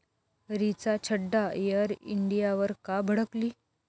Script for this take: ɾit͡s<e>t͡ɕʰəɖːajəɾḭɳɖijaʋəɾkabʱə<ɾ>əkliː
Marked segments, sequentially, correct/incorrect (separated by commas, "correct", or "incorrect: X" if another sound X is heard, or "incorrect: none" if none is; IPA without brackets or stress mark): incorrect: a, incorrect: ɽ